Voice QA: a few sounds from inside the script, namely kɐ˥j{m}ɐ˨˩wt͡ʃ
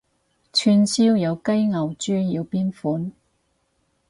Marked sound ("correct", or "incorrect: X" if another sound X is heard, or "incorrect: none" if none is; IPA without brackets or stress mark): incorrect: ŋ